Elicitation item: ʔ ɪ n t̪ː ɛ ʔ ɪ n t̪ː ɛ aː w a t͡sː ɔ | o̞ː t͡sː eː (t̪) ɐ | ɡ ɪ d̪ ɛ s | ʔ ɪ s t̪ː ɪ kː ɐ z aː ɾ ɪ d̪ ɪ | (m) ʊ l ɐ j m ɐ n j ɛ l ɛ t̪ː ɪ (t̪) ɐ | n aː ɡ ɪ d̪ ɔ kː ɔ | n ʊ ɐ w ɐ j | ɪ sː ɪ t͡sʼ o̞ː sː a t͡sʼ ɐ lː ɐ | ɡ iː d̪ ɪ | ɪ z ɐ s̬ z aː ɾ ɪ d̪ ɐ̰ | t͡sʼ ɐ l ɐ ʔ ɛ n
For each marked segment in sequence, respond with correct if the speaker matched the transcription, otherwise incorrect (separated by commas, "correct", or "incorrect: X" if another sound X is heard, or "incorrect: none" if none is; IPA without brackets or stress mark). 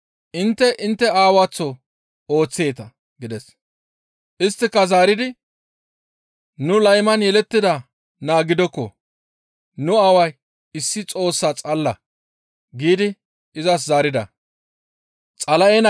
correct, incorrect: n, incorrect: d̪